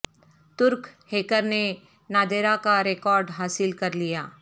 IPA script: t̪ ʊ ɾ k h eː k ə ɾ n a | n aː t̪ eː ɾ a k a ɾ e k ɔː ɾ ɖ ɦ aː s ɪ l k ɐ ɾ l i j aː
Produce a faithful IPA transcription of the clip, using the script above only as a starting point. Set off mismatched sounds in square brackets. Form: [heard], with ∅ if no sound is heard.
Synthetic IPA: t̪ ʊ ɾ k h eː k ə ɾ n [e] | n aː [d̪] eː ɾ a k a ɾ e k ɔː ɾ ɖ ɦ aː s ɪ l k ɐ ɾ l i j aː